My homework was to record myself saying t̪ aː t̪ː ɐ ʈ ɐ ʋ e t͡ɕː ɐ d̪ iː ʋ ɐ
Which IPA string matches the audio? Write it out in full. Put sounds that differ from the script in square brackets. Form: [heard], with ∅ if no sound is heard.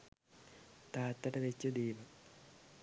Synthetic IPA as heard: t̪ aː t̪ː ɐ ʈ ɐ ʋ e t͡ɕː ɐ d̪ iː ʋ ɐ